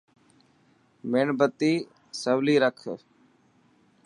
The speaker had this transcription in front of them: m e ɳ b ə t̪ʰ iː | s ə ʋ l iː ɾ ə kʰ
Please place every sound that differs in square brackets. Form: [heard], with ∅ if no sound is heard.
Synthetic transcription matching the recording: m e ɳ b ə [t̪] iː | s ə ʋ l iː ɾ ə kʰ